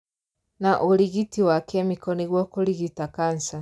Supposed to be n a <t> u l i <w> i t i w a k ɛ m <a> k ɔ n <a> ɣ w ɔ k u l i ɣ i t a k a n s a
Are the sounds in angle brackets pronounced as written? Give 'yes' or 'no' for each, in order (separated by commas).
no, no, no, no